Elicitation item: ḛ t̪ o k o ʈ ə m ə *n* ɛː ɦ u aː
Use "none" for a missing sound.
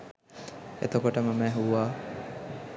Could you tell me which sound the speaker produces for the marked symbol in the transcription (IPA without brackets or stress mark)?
m